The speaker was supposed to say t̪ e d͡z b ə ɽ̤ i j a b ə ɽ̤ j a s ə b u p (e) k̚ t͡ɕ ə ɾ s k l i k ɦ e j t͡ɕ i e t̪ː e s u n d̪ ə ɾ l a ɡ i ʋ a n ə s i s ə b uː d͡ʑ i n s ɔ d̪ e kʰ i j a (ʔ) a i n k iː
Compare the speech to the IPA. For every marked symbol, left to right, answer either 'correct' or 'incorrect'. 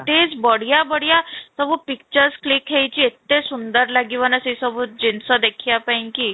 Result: incorrect, incorrect

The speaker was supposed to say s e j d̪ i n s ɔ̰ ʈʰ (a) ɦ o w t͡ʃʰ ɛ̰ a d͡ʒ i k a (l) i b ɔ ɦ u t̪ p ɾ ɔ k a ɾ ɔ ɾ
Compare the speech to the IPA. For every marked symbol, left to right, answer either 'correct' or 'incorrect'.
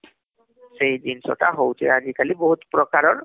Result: correct, correct

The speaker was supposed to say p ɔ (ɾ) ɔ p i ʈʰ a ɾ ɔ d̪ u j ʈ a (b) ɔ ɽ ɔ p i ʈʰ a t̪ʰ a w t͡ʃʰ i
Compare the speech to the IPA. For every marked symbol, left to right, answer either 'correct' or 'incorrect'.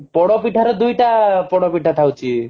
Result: incorrect, incorrect

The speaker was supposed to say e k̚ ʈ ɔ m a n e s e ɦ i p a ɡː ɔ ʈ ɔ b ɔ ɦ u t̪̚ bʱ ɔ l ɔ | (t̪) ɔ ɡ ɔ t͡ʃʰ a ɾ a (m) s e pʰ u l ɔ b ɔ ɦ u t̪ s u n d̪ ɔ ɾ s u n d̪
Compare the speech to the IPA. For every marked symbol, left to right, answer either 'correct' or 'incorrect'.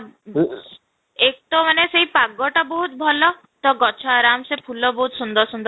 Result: correct, correct

